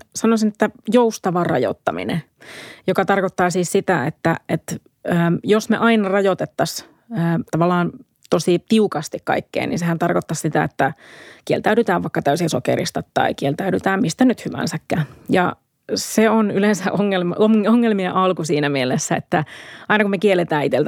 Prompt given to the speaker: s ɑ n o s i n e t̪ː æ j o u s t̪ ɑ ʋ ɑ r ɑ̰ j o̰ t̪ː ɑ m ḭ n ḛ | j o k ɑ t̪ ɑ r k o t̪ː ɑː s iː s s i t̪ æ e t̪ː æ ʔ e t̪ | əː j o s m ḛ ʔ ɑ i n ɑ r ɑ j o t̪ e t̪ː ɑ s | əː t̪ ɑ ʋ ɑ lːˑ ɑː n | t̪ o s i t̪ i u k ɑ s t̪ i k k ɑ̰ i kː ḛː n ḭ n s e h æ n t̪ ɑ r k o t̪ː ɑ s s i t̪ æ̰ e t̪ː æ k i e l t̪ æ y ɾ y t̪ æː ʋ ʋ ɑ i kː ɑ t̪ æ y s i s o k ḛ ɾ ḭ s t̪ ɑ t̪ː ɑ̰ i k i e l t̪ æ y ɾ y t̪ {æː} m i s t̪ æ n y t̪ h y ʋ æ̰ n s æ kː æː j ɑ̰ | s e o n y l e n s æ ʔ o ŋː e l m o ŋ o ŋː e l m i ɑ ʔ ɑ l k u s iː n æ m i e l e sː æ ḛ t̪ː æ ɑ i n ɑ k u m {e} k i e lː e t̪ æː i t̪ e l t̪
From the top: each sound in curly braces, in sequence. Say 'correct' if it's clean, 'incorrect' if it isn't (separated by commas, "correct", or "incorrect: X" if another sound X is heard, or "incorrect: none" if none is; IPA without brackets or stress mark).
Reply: correct, correct